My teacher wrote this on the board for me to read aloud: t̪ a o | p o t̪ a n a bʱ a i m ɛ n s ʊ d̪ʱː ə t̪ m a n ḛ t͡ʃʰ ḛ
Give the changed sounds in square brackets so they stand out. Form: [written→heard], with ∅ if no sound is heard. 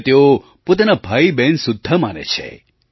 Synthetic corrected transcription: t̪ [a→e] o | p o t̪ a n a bʱ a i [m→b] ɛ n s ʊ d̪ʱː ə [t̪→∅] m a n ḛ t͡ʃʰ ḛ

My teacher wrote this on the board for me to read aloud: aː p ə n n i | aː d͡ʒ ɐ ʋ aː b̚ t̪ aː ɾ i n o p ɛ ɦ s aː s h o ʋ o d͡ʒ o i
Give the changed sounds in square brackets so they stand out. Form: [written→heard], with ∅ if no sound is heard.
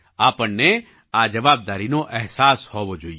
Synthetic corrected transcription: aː p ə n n [i→e] | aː d͡ʒ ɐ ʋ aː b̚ [t̪→d̪] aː ɾ i n o [p→ʔ] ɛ ɦ s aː s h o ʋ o d͡ʒ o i

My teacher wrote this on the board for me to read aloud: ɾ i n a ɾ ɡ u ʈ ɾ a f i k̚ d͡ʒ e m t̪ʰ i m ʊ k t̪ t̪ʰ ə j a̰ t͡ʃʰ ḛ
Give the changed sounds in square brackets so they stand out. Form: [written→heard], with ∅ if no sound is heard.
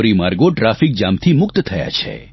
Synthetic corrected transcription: ɾ i [n→m] a ɾ ɡ [u→o] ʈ ɾ a f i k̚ d͡ʒ [e→a] m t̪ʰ i m ʊ k t̪ t̪ʰ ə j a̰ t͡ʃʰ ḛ

